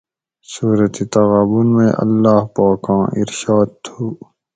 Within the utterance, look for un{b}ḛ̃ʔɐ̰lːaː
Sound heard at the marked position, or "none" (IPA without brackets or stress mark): m